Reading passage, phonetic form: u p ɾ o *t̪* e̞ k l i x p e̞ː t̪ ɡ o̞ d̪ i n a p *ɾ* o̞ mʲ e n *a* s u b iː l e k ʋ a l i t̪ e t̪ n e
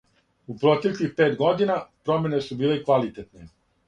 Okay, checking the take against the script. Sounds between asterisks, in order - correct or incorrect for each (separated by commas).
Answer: correct, correct, incorrect